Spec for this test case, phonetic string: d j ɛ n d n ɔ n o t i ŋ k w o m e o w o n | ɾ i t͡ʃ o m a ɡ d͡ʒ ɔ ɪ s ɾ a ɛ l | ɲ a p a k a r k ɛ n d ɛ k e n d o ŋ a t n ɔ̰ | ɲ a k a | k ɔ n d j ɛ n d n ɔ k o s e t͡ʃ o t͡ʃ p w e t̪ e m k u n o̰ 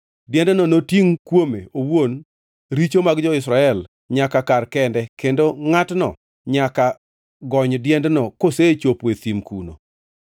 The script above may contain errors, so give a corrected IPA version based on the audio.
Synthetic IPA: d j ɛ n d n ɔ n o t i ŋ k w o m e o w o n | ɾ i t͡ʃ o m a ɡ d͡ʒ ɔ ɪ s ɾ a ɛ l | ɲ a k a k a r k ɛ n d ɛ k e n d o ŋ a t n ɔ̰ | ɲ a k a | ɡ ɔ ɲ d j ɛ n d n ɔ k o s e t͡ʃ o p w e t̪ i m k u n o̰

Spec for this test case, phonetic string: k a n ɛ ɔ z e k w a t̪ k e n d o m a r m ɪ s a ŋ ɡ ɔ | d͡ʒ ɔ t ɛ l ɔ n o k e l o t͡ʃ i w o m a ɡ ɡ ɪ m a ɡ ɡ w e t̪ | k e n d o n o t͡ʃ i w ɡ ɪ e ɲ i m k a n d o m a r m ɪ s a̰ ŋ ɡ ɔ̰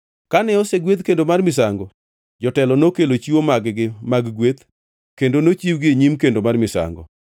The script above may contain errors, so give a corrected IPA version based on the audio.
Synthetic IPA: k a n ɛ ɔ s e ɡ w e t̪ k e n d o m a r m ɪ s a ŋ ɡ ɔ | d͡ʒ ɔ t ɛ l ɔ n o k e l o t͡ʃ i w o m a ɡ ɡ ɪ m a ɡ ɡ w e t̪ | k e n d o n o t͡ʃ i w ɡ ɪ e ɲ i m k e n d o m a r m ɪ s a̰ ŋ ɡ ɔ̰

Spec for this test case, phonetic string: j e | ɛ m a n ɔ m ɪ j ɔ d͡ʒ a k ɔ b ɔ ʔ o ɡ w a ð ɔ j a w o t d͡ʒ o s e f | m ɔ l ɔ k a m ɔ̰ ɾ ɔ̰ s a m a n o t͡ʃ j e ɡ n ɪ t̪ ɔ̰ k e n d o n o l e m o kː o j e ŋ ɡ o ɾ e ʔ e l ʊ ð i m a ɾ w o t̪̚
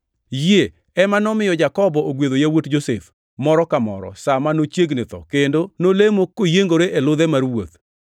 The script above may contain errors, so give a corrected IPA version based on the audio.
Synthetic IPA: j e | ɛ m a n ɔ m ɪ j ɔ d͡ʒ a k ɔ b ɔ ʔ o ɡ w e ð o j a w o t d͡ʒ o s e f | m ɔ ɾ ɔ k a m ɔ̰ ɾ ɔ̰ s a m a n o t͡ʃ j e ɡ n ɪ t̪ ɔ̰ k e n d o n o l e m o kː o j e ŋ ɡ o ɾ e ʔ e l ʊ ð ɛ m a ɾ w o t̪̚

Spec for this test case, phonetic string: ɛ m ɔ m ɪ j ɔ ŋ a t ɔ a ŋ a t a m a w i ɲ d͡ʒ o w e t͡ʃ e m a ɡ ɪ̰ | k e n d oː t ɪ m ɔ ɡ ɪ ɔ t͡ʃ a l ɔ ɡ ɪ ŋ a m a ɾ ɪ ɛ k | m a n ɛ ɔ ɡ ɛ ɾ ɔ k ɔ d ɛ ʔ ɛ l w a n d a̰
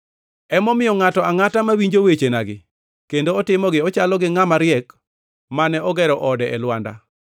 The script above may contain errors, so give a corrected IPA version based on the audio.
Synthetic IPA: ɛ m ɔ m ɪ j ɔ ŋ a t ɔ a ŋ a t a m a w i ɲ d͡ʒ o w e t͡ʃ e n a ɡ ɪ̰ | k e n d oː t ɪ m ɔ ɡ ɪ ɔ t͡ʃ a l ɔ ɡ ɪ ŋ a m a ɾ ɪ ɛ k | m a n ɛ ɔ ɡ ɛ ɾ ɔ ʔ ɔ d ɛ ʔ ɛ l w a n d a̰

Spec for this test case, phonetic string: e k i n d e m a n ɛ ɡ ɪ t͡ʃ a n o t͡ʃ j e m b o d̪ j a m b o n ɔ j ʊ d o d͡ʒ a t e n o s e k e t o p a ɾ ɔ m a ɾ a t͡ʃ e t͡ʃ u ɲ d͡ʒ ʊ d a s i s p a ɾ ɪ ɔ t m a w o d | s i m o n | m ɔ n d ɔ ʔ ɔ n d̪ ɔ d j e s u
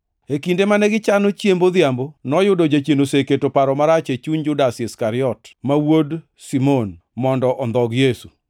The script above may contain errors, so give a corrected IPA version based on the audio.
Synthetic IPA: e k i n d e m a n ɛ ɡ ɪ t͡ʃ a n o t͡ʃ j e m b o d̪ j a m b o n ɔ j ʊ d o d͡ʒ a t͡ʃ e n o s e k e t o p a ɾ ɔ m a ɾ a t͡ʃ e t͡ʃ u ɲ d͡ʒ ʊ d a s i s k a ɾ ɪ ɔ t m a w o d | s i m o n | m ɔ n d ɔ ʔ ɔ n d̪ ɔ ɡ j e s u

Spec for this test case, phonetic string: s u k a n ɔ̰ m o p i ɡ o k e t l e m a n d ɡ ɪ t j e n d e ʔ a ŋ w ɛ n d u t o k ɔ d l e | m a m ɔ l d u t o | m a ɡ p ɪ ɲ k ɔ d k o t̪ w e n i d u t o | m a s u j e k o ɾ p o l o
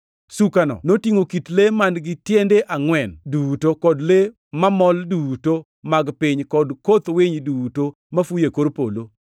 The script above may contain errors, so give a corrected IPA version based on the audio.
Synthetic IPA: s u k a n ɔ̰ n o t i ŋ o k i t l e m a n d ɡ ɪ t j e n d e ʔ a ŋ w ɛ n d u t o k ɔ d l e | m a m ɔ l d u t o | m a ɡ p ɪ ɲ k ɔ d k o t̪ w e ɲ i d u t o | m a f u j e k o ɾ p o l o

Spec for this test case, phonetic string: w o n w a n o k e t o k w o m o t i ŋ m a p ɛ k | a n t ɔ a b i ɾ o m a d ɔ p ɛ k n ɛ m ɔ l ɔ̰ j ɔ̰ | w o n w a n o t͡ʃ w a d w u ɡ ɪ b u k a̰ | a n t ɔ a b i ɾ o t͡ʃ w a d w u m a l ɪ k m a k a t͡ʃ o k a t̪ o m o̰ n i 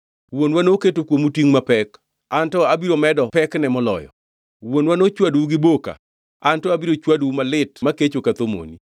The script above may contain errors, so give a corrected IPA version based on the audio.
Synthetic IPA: w o n w a n o k e t o k w o m u t i ŋ m a p ɛ k | a n t ɔ a b i ɾ o m ɛ d ɔ p ɛ k n ɛ m ɔ l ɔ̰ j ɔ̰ | w o n w a n o t͡ʃ w a d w u ɡ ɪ b o k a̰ | a n t ɔ a b i ɾ o t͡ʃ w a d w u m a l ɪ t m a k e t͡ʃ o k a t̪ o m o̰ n i

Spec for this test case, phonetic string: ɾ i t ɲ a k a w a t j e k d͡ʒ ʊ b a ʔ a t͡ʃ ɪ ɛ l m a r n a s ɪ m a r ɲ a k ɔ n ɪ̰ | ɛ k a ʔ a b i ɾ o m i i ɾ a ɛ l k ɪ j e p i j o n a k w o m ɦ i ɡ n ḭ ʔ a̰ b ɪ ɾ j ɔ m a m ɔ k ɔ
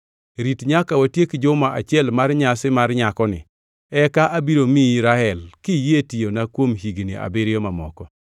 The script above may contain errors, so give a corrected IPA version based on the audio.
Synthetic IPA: ɾ i t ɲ a k a w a t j e k d͡ʒ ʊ m a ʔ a t͡ʃ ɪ ɛ l m a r ɲ a s ɪ m a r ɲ a k ɔ n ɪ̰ | ɛ k a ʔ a b i ɾ o m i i ɾ a ɛ l k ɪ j e t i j o n a k w o m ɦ i ɡ n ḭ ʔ a̰ b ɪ ɾ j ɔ m a m ɔ k ɔ

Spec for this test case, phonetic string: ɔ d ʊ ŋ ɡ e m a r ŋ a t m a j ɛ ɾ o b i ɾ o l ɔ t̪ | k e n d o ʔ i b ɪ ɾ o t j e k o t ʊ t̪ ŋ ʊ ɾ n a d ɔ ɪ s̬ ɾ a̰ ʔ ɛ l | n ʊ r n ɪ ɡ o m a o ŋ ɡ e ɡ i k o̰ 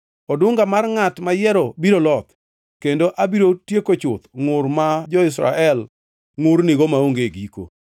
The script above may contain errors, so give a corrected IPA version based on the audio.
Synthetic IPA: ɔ d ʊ ŋ ɡ a m a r ŋ a t m a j ɛ ɾ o b i ɾ o l ɔ t̪ | k e n d o ʔ a b i ɾ o t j e k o t͡ʃ ʊ t̪ ŋ ʊ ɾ m a d͡ʒ ɔ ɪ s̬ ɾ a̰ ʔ ɛ l | ŋ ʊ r n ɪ ɡ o m a o ŋ ɡ e ɡ i k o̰

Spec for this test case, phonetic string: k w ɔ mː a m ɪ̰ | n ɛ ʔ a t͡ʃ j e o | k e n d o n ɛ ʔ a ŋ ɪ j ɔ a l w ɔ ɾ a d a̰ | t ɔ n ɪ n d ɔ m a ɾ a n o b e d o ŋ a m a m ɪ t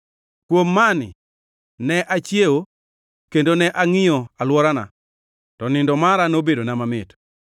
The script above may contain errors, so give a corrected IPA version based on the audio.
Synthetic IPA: k w o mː a n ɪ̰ | n ɛ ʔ a t͡ʃ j e o | k e n d o n ɛ ʔ a ŋ ɪ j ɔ a l w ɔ ɾ a n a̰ | t ɔ n ɪ n d ɔ m a ɾ a n o b e d o n a m a m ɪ t

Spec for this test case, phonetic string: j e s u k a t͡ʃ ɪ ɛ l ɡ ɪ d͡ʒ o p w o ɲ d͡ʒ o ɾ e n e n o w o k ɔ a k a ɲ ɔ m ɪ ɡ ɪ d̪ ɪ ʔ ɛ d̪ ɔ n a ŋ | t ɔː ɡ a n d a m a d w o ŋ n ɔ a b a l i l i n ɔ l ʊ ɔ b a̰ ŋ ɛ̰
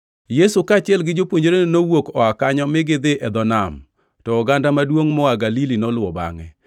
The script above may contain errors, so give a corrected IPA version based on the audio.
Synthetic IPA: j e s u k a t͡ʃ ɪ ɛ l ɡ ɪ d͡ʒ o p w o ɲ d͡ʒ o ɾ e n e n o w o k ɔ a k a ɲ ɔ m ɪ ɡ ɪ d̪ ɪ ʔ ɛ d̪ ɔ n a m | t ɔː ɡ a n d a m a d w o ŋ m ɔ a ɡ a l i l i n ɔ l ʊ ɔ b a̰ ŋ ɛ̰

